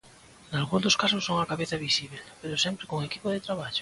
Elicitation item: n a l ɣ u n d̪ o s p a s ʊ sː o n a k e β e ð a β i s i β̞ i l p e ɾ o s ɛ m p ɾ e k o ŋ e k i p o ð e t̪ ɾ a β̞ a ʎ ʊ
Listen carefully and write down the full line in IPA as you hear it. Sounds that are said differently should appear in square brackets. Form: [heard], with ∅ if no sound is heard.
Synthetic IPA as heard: n a l ɣ u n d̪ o s [k] a s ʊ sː o [ŋ] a k [a] β e [θ] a β i s i β̞ [e] l p e ɾ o s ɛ m p ɾ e k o ŋ e k i p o ð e t̪ ɾ a β̞ a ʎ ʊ